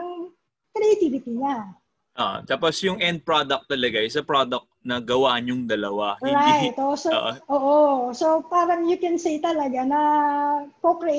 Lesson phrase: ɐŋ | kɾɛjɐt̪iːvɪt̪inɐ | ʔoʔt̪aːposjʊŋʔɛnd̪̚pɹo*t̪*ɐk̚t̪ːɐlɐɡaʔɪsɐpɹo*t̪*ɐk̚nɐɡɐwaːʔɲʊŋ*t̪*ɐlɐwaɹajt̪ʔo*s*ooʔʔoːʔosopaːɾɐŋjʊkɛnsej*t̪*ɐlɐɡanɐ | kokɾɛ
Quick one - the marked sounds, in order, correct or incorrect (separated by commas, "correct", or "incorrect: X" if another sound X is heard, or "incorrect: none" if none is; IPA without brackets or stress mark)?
incorrect: d̪, incorrect: d̪, incorrect: d̪, correct, correct